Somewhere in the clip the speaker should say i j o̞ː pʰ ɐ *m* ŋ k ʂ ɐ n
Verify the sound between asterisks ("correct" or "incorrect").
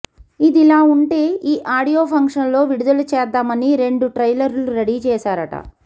incorrect